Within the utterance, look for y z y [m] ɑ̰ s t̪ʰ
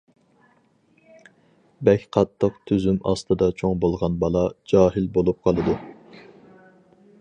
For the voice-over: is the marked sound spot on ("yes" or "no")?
yes